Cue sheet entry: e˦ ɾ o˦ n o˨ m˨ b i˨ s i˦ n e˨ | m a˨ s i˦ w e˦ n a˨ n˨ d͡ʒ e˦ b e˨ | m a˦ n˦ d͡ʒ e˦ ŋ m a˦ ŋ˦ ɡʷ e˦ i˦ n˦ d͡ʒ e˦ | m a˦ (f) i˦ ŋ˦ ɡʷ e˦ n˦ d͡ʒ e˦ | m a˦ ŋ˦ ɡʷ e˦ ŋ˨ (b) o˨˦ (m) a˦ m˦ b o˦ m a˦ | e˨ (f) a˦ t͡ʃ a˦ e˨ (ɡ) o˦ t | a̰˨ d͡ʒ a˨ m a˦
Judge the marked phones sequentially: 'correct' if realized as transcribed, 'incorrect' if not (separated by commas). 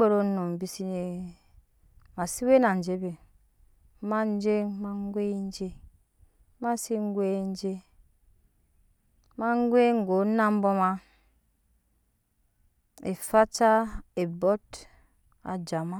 incorrect, incorrect, incorrect, correct, incorrect